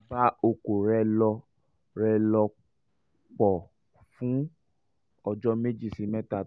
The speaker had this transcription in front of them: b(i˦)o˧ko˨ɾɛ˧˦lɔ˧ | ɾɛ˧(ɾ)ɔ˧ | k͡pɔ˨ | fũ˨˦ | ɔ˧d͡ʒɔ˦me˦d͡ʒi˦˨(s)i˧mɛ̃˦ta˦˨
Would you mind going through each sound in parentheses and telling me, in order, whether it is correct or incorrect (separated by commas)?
incorrect, incorrect, correct